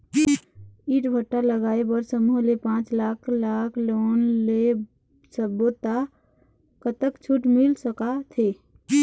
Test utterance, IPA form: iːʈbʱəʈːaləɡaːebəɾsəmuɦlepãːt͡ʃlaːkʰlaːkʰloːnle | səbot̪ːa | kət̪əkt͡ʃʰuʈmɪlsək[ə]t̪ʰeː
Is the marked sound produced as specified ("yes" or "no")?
no